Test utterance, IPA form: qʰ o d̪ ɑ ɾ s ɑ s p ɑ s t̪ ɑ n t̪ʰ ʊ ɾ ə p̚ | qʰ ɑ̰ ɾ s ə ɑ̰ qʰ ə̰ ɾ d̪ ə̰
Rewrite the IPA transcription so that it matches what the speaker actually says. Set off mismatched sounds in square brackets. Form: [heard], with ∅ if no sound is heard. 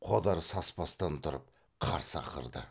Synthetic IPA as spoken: qʰ o d̪ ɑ ɾ s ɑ s p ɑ s t̪ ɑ n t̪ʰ ʊ ɾ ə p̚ | qʰ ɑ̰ ɾ s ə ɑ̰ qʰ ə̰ ɾ d̪ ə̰